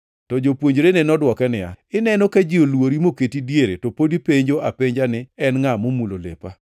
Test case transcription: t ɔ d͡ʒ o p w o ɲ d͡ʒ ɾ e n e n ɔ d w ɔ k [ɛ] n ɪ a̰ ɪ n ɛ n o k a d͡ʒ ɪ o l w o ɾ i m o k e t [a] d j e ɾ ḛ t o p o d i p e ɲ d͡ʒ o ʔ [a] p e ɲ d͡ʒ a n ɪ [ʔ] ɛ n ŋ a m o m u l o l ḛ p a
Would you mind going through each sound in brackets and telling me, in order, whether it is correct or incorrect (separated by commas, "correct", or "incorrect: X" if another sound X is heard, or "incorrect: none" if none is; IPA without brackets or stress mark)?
correct, incorrect: i, correct, incorrect: none